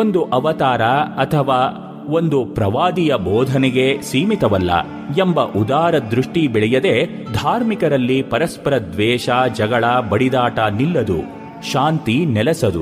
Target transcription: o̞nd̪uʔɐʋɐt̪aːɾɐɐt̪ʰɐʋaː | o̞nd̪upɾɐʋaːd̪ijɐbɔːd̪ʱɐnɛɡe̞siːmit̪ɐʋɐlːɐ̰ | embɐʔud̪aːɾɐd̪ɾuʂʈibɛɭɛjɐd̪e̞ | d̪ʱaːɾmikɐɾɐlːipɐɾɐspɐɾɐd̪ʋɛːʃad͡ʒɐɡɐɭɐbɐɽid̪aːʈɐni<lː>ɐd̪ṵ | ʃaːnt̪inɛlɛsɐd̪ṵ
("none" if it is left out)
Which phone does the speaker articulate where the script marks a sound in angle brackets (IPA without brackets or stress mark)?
lː